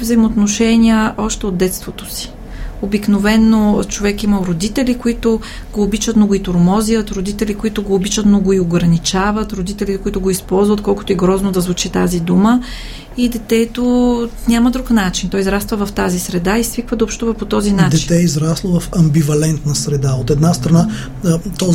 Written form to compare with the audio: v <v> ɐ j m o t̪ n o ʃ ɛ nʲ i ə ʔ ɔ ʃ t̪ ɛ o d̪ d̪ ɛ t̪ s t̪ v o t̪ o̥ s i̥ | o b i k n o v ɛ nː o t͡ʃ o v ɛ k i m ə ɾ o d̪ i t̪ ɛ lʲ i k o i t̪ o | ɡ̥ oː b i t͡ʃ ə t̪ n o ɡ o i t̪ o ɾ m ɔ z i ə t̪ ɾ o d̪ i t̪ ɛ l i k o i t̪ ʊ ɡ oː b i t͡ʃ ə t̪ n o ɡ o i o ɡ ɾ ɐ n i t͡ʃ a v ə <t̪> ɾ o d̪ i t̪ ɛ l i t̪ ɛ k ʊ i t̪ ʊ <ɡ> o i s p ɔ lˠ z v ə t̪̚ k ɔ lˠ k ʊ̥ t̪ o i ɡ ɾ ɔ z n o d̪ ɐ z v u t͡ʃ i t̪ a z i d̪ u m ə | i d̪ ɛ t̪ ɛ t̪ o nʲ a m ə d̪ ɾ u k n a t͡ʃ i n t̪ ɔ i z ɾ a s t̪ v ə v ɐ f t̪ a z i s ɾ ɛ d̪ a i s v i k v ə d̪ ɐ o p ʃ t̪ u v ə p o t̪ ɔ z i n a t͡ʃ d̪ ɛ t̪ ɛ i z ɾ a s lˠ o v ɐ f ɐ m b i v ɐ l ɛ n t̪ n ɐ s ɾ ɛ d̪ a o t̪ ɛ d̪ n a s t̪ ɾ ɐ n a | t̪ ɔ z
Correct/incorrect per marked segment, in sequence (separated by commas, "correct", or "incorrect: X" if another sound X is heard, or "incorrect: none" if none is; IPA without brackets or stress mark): incorrect: z, correct, correct